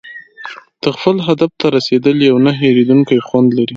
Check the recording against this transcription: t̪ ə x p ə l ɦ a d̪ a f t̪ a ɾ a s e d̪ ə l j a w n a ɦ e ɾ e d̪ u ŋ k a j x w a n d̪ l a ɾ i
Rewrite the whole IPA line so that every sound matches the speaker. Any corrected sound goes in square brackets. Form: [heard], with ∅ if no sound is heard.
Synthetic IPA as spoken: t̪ ə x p ə l ɦ a d̪ a f t̪ a ɾ a s e d̪ ə l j a w n a ɦ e ɾ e d̪ u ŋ k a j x w a n d̪ l a ɾ i